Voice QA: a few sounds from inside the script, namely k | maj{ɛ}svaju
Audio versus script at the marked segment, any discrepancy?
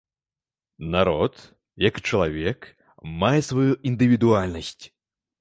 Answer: no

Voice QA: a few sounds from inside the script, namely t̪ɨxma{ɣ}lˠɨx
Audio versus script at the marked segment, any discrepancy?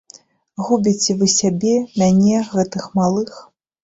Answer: yes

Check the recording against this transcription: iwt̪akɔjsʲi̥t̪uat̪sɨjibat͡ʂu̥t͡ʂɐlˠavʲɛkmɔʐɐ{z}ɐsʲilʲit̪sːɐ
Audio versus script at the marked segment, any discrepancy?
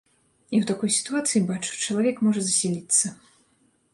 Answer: no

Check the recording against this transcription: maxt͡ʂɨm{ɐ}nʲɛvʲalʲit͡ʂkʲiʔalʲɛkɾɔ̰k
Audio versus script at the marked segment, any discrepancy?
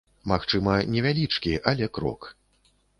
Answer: no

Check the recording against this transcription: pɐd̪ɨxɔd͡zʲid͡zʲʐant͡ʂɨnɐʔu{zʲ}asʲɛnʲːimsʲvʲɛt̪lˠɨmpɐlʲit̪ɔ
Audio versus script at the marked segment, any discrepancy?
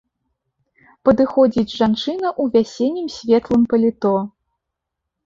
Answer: yes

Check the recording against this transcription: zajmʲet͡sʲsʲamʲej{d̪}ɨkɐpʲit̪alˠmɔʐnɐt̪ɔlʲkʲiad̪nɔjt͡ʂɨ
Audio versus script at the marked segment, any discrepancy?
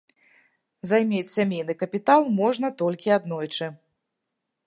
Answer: yes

